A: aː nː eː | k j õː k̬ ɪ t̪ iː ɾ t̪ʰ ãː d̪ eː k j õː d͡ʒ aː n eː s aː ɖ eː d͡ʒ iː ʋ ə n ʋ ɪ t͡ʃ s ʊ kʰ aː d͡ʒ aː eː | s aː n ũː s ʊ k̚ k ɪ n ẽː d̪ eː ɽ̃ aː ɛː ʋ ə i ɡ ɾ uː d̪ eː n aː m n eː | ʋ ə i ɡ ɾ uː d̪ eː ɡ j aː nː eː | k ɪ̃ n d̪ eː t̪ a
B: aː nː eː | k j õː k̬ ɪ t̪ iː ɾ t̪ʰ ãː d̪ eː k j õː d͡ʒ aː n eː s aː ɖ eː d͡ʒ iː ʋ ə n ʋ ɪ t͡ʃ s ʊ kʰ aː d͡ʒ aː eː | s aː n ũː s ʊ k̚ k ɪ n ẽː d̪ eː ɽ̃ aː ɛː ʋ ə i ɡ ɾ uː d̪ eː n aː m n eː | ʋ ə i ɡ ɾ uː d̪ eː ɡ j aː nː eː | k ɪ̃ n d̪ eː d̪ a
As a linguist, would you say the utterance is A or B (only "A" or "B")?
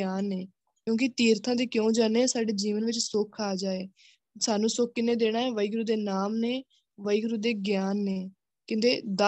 B